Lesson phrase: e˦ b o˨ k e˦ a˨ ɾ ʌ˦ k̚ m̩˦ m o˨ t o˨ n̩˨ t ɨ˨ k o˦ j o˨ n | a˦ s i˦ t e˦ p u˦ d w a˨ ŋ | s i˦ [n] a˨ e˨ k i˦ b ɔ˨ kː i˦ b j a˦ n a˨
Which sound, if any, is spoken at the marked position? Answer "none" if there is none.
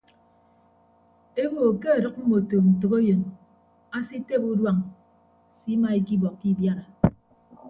m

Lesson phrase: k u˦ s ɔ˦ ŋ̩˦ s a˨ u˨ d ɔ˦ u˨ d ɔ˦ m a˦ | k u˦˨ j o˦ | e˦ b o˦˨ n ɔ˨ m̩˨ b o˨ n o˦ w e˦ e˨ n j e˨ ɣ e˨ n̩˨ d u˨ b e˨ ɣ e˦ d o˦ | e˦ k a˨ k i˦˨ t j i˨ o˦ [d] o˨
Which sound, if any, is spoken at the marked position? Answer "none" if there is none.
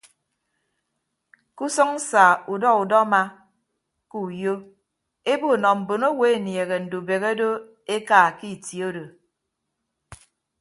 d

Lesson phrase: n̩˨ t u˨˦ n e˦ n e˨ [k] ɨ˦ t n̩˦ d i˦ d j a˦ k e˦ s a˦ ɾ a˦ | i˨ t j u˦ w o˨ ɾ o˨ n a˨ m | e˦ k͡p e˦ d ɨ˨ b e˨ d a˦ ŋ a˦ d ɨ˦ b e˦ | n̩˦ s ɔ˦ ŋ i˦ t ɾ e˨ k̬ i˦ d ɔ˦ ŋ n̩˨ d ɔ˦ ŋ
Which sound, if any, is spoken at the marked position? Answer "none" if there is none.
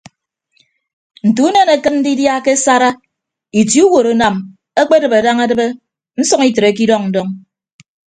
k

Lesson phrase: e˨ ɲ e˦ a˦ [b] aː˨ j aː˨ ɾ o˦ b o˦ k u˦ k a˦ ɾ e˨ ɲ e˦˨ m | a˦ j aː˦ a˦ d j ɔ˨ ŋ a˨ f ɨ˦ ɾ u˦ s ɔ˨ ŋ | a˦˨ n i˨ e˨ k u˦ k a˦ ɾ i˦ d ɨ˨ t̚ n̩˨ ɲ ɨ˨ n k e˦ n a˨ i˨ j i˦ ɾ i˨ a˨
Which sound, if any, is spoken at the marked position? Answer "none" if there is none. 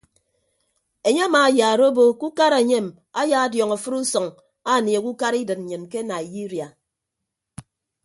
m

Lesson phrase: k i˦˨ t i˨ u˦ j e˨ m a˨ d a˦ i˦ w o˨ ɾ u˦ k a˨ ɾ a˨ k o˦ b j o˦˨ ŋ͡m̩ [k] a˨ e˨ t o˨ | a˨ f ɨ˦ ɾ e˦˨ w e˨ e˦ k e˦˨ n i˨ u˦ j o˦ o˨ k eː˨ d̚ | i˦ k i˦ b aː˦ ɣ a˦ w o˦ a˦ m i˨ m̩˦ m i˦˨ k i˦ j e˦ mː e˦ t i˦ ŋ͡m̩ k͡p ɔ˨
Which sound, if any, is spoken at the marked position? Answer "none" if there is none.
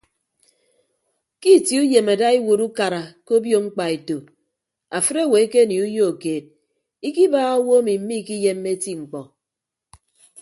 k͡p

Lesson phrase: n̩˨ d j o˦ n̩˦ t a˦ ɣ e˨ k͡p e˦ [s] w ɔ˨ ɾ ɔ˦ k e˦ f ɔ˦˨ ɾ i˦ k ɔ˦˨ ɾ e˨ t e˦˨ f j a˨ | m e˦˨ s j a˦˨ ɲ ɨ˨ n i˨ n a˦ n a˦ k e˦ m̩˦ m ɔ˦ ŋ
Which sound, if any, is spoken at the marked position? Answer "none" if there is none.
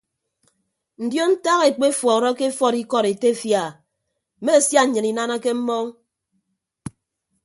f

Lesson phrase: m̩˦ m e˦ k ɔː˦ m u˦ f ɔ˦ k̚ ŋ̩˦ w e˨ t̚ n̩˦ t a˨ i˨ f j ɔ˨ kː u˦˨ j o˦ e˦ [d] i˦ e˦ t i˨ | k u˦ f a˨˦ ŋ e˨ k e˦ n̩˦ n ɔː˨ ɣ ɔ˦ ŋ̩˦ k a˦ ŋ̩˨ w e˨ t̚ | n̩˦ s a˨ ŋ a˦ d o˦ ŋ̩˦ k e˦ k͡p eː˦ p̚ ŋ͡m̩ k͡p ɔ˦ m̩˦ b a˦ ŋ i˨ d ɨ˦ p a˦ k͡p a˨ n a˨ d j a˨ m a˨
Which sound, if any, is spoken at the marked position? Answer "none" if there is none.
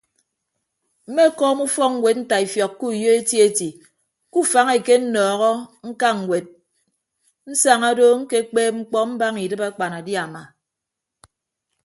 t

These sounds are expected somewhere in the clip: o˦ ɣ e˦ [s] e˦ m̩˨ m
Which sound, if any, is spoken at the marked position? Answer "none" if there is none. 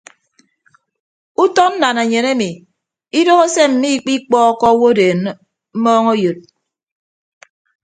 s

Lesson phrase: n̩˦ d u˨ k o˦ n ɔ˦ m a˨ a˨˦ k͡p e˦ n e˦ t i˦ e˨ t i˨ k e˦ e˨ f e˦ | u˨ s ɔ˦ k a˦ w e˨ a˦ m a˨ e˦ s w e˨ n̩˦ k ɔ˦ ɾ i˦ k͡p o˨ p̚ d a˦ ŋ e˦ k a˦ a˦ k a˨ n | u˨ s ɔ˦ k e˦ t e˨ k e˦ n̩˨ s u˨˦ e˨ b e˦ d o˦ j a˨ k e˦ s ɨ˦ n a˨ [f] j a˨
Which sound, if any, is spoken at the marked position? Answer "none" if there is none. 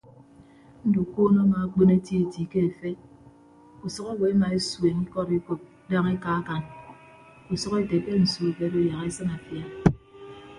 f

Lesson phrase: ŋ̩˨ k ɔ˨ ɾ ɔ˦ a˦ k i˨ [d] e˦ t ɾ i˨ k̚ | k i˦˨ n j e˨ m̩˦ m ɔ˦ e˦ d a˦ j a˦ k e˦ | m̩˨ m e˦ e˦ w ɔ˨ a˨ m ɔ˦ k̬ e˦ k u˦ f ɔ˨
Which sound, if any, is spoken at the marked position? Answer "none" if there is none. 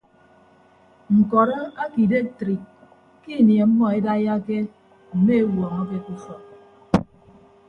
d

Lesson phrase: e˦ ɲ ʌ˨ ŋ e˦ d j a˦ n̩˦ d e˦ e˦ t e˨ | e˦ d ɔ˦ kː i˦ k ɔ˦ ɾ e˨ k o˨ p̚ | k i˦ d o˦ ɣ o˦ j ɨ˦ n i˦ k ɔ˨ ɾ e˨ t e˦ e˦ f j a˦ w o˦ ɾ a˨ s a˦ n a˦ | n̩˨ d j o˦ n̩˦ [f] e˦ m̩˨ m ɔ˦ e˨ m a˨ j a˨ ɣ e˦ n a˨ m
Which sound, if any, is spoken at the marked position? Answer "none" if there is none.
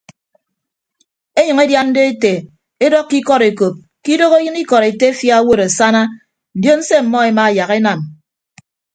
s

